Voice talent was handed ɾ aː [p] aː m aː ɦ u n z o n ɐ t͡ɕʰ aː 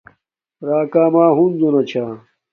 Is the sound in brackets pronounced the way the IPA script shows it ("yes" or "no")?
no